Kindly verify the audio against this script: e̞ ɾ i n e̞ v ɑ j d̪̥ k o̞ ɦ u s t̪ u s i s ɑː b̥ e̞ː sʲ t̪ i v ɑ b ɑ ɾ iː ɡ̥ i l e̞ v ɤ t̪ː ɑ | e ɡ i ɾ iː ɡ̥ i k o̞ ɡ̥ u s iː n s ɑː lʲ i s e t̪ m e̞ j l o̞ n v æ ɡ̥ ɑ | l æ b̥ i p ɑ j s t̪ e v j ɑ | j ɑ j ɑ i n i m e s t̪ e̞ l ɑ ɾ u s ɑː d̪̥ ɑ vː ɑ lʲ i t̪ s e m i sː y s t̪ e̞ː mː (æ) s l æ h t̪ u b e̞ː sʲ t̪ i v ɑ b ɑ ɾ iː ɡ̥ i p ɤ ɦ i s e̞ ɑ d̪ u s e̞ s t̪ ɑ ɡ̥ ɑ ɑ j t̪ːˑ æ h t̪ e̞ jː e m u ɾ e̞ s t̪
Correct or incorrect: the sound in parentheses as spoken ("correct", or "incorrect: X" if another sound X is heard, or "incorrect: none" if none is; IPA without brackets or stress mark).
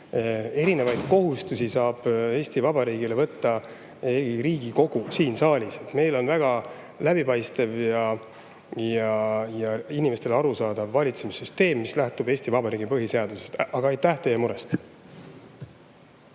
incorrect: i